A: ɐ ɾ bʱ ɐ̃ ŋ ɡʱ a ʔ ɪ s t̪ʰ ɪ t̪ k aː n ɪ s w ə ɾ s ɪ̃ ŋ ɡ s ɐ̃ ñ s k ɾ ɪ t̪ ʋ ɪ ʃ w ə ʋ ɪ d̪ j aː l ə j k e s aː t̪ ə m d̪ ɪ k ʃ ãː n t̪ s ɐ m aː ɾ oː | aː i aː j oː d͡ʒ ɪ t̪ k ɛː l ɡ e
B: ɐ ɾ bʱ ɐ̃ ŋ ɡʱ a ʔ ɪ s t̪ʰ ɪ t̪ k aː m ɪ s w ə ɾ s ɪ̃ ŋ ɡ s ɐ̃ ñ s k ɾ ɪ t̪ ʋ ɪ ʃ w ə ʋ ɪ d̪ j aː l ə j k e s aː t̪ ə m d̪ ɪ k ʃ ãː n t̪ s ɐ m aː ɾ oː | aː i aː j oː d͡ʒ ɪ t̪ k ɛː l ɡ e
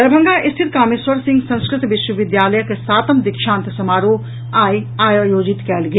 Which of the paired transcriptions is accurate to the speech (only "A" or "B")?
B